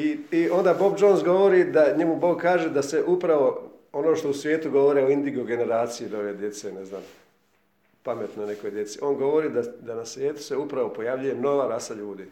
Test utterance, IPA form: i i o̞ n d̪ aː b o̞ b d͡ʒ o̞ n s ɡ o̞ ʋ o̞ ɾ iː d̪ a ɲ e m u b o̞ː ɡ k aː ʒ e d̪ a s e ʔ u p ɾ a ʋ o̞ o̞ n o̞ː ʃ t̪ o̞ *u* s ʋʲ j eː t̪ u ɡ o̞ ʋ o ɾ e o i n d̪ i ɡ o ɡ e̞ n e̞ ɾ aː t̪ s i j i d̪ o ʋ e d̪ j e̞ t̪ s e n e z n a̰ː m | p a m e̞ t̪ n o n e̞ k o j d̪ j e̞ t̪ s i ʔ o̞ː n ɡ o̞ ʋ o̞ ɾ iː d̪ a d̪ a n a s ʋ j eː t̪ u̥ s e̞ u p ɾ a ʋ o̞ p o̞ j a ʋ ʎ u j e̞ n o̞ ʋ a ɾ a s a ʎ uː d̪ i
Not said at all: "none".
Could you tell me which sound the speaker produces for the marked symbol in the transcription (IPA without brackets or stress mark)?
u